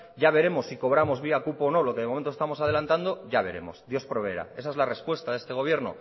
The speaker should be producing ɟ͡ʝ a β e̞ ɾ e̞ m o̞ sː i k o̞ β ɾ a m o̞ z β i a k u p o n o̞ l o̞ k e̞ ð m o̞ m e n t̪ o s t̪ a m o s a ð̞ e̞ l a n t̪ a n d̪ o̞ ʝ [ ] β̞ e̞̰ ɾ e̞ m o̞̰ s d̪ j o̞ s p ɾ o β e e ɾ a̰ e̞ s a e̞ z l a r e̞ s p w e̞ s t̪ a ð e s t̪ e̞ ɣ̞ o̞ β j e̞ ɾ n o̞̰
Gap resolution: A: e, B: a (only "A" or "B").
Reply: B